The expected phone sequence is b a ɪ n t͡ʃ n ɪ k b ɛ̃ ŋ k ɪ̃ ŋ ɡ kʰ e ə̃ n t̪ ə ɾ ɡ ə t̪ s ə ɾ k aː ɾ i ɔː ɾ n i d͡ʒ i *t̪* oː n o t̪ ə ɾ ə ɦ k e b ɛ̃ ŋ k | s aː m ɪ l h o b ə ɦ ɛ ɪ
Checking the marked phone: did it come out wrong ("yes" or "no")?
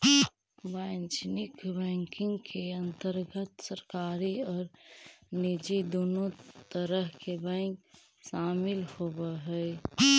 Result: yes